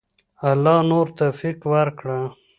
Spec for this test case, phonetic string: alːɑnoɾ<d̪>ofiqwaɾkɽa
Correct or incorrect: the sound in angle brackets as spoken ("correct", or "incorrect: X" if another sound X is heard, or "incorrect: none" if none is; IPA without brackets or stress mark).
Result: incorrect: t̪